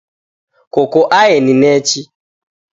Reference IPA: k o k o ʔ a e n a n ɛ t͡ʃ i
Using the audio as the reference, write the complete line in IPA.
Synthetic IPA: k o k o ʔ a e n i n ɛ t͡ʃ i